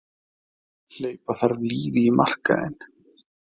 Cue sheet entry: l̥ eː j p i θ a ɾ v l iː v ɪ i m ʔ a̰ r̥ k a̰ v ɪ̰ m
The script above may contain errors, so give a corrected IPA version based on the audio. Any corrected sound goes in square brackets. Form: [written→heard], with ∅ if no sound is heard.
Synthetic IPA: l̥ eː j p [i→a] θ a ɾ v l iː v ɪ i m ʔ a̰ r̥ k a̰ [v→ð] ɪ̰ [m→n]

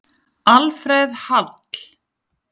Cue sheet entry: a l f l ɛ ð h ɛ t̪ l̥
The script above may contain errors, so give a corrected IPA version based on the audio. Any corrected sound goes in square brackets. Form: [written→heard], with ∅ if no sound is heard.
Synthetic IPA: a l f [l→ɾ] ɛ ð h [ɛ→a] t̪ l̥

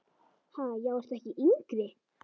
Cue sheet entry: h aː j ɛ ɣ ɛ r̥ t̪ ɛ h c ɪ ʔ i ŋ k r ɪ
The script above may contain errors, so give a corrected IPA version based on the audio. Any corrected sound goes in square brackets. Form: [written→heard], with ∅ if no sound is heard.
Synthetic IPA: h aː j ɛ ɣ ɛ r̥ t̪ ɛ h c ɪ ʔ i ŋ k [r→ɾ] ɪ

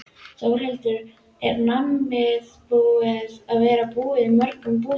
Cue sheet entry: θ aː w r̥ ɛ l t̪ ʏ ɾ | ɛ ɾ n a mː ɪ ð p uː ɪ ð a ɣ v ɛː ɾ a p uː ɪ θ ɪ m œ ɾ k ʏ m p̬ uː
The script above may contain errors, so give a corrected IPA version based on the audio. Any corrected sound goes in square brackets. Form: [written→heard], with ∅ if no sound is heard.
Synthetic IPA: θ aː w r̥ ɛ l t̪ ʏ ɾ | ɛ ɾ n a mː ɪ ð p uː ɪ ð a [ɣ→ð] v ɛː ɾ a p uː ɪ [θ→ð] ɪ m œ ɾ k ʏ m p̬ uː

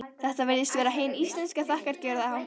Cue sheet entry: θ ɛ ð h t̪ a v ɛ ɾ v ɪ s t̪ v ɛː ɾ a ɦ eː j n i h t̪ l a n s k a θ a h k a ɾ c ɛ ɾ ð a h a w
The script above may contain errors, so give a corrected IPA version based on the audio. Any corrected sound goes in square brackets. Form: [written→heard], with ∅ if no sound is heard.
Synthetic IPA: θ ɛ [ð→∅] h t̪ a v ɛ ɾ [v→ð] ɪ s t̪ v ɛː ɾ a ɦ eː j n i [h→s] t̪ l [a→ɛ] n s k a θ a h k a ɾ c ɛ ɾ ð a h a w

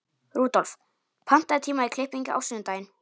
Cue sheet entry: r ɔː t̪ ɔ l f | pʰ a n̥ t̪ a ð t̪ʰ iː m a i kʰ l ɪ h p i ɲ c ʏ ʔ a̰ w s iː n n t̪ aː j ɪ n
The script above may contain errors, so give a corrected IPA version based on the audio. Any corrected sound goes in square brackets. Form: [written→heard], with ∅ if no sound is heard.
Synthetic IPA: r [ɔː→uː] t̪ ɔ l f | pʰ a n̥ t̪ a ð t̪ʰ iː m a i kʰ l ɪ h p i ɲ c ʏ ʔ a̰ w s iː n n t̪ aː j ɪ n

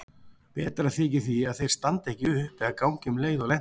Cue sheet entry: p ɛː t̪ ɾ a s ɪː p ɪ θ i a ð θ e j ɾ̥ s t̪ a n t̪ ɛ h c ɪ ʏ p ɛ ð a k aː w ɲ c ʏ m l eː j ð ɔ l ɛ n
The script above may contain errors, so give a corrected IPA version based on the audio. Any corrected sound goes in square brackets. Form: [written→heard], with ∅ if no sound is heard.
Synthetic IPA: p ɛː t̪ ɾ a [s→θ] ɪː [p→c] ɪ θ i a ð θ e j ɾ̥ s t̪ a n t̪ ɛ h c ɪ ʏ p ɛ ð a k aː w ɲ c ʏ m l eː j ð ɔ l ɛ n

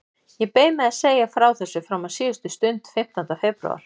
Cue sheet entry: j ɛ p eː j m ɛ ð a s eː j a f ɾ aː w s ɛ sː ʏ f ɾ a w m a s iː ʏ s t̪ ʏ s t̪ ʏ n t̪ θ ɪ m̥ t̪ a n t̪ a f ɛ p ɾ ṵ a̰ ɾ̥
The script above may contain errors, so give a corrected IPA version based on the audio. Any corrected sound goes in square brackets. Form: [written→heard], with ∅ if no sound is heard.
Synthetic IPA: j ɛ p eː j m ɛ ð a s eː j a f ɾ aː w [s→θ] ɛ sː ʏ f ɾ a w m a s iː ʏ s t̪ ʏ s t̪ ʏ n t̪ [θ→f] ɪ m̥ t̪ a n t̪ a f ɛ p ɾ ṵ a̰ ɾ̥

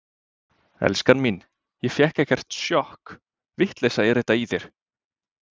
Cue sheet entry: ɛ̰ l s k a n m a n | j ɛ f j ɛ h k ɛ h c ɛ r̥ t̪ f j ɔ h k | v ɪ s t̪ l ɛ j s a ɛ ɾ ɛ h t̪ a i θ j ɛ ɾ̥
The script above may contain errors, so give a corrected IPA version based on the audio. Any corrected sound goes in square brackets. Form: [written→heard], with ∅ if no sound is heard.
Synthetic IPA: ɛ̰ l s k a n m [a→i] n | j ɛ f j ɛ h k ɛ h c ɛ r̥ t̪ [f→s] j ɔ h k | v ɪ [s→h] t̪ l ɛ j s a ɛ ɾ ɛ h t̪ a i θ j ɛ ɾ̥

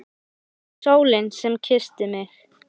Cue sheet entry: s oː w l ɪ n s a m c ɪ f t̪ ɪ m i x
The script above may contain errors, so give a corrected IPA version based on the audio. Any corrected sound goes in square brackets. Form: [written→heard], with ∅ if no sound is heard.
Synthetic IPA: s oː w l ɪ n s [a→ɛ] m [c→cʰ] ɪ [f→s] t̪ ɪ m [i→ɪ] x

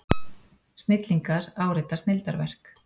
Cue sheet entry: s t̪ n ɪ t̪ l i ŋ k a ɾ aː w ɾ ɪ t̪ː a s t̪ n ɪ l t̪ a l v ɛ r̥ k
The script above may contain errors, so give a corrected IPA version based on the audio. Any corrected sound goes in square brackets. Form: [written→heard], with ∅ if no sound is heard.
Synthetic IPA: s t̪ n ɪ t̪ l i ŋ k a ɾ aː w ɾ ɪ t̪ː a s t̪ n ɪ l t̪ a [l→ɾ] v ɛ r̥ k

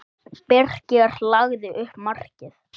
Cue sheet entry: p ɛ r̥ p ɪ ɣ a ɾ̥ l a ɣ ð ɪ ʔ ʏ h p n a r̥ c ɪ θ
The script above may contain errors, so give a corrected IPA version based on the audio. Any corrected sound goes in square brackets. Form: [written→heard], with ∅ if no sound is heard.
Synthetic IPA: p ɛ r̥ [p→c] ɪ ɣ a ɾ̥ l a ɣ ð ɪ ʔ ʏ h p [n→m] a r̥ c ɪ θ

